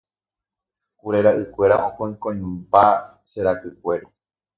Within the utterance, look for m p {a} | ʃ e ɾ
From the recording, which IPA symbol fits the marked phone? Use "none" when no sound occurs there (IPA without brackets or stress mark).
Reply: a